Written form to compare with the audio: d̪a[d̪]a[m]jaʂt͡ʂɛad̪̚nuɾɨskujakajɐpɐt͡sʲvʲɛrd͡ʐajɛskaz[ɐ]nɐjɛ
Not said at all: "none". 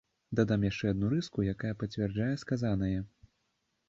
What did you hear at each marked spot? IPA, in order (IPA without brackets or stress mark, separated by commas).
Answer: d̪, m, a